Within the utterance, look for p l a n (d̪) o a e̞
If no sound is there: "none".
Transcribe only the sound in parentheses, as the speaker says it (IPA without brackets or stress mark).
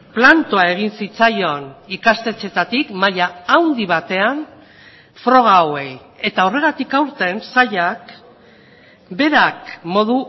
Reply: t̪